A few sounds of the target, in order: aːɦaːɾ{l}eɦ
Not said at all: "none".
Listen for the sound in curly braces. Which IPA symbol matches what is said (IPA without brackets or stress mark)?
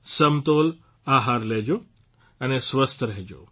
l